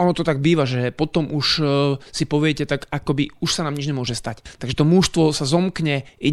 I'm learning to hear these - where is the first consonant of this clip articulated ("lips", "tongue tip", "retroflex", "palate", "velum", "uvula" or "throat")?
tongue tip